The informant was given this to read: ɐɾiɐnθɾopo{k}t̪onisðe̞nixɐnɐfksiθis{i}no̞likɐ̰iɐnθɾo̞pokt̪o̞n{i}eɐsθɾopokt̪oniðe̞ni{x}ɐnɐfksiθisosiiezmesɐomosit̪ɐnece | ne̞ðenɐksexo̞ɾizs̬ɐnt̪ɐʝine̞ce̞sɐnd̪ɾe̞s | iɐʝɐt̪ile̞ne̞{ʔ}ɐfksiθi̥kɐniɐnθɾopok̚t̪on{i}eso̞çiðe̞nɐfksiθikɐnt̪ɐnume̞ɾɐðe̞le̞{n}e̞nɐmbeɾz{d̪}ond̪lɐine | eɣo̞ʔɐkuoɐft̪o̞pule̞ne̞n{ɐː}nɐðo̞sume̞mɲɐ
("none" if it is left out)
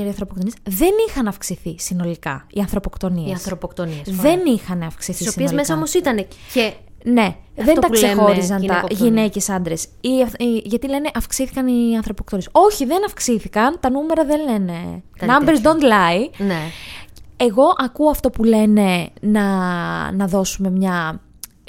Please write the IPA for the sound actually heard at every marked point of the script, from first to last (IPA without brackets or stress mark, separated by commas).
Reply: k, i, i, x, ʔ, i, n, d̪, ɐ